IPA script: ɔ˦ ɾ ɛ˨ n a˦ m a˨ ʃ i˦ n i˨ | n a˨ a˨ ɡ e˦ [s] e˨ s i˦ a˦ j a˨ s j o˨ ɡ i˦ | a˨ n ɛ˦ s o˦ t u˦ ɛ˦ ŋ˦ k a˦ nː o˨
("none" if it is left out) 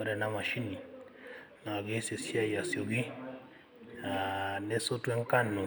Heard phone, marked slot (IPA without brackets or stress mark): s